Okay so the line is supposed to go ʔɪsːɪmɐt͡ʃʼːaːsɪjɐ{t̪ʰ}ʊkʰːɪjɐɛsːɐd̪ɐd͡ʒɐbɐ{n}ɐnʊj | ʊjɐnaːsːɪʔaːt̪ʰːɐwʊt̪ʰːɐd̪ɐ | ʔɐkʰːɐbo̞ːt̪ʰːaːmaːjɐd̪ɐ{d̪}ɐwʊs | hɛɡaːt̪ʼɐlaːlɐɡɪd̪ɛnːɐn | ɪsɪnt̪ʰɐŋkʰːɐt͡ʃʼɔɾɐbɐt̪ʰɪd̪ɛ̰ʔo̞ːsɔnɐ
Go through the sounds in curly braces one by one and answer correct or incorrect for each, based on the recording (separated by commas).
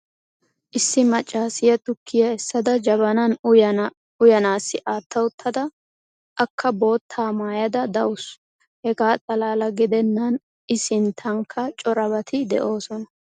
incorrect, correct, correct